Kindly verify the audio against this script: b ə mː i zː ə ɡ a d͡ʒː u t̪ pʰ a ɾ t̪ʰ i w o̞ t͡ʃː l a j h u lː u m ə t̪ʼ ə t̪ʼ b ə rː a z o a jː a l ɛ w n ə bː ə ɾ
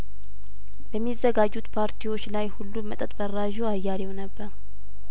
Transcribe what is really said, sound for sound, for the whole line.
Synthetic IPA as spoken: b ə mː i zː ə ɡ a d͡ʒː u t̪ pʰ a ɾ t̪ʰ i w o̞ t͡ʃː l a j h u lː u m ə t̪ʼ ə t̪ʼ b ə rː a ʒ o a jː a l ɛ w n ə bː ə ɾ